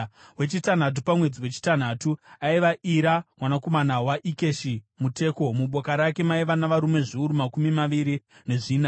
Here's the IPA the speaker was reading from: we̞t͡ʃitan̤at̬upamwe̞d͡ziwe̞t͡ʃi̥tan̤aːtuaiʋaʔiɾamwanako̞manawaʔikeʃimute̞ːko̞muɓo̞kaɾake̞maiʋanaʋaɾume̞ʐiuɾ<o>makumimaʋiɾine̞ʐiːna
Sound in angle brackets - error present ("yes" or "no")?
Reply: yes